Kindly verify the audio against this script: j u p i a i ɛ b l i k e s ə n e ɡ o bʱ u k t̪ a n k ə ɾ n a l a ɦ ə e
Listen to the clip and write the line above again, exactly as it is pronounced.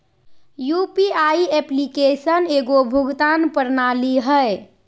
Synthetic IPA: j u p i a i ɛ p l i k e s ə n e ɡ o bʱ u ɡ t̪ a n p ə ɾ n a l i ɦ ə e